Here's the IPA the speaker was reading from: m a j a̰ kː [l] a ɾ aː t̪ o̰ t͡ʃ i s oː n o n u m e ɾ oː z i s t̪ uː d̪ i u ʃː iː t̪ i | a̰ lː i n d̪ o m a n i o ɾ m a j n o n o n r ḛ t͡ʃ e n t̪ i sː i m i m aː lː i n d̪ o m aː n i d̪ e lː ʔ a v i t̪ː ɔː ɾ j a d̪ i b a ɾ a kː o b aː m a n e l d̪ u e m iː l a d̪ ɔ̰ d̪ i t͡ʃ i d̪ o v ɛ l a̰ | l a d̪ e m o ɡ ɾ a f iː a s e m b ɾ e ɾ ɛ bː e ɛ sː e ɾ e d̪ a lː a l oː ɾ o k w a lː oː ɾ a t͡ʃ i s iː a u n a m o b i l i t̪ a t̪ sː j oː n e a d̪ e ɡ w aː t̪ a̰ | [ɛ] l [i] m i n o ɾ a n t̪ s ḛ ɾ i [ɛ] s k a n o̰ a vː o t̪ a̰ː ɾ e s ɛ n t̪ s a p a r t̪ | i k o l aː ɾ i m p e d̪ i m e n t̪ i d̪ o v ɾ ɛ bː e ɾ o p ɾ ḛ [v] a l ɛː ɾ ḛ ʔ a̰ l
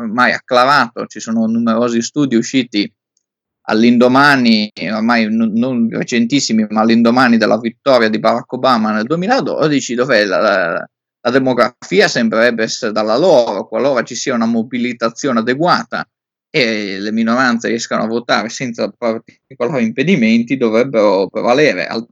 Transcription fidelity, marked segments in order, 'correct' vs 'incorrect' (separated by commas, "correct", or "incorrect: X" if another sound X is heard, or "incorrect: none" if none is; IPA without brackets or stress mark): correct, incorrect: e, incorrect: e, correct, correct